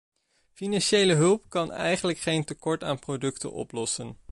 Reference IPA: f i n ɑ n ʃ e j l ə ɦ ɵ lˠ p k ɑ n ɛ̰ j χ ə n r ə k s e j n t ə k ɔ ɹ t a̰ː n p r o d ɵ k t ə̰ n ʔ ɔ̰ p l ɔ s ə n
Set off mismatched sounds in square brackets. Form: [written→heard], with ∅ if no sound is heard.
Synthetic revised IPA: f i n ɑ n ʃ e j l ə ɦ ɵ lˠ p k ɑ n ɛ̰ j χ ə n [r→l] ə k [s→χ] e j n t ə k ɔ ɹ t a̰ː n p r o d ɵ k t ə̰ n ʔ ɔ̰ p l ɔ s ə n